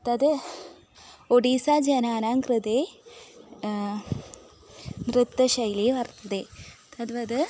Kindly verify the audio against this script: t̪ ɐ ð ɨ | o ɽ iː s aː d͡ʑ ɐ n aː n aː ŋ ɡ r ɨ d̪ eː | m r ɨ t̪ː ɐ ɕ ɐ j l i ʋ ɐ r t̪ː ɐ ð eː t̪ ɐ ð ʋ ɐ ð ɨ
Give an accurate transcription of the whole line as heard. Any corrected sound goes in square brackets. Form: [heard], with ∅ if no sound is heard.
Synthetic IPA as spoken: t̪ ɐ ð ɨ | o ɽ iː s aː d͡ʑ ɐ n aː n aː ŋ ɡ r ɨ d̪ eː | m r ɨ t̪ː ɐ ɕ ɐ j l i ʋ ɐ r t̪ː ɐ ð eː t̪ ɐ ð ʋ ɐ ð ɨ